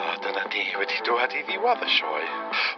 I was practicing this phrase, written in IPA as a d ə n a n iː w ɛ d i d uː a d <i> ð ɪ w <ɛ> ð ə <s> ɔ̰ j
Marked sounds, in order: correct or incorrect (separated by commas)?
correct, incorrect, incorrect